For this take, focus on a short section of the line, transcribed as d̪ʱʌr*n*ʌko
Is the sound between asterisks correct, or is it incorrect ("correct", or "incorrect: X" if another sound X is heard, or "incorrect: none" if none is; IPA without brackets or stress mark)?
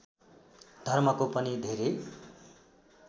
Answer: incorrect: m